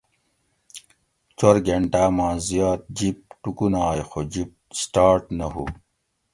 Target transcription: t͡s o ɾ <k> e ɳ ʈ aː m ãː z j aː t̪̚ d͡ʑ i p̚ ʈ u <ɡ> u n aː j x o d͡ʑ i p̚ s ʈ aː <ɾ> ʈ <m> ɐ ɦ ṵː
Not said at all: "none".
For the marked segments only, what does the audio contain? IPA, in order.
ɡ, k, ɾ, n

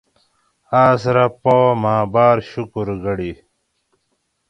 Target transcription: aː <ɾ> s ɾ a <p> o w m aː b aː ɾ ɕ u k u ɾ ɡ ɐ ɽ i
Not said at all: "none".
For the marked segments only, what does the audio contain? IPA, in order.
none, p

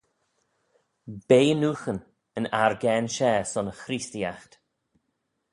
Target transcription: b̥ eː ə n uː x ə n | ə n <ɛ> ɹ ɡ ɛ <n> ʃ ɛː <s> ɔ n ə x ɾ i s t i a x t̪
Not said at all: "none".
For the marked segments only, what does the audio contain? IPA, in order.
a, n, s

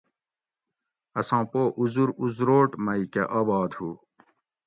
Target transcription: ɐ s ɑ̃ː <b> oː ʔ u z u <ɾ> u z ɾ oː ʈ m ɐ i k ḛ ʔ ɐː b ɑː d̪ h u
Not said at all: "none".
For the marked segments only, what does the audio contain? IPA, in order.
p, ɾ

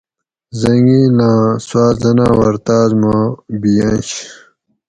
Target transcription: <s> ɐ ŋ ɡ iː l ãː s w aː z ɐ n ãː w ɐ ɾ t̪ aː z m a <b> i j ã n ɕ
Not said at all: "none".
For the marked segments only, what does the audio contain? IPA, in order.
z, b

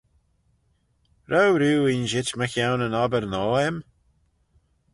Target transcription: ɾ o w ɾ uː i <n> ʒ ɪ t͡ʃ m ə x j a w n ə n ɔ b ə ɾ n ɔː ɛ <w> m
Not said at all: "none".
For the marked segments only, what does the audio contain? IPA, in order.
n, none

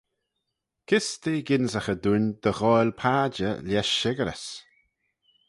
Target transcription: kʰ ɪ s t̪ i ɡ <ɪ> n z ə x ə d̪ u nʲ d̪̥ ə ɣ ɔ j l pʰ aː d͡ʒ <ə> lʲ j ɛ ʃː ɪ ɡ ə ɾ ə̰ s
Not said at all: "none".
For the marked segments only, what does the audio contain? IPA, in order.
ɪ, ə

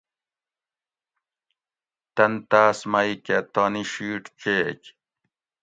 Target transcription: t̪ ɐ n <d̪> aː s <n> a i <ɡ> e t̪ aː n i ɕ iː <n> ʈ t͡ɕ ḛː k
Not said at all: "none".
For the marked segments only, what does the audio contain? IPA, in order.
t̪, m, k, none

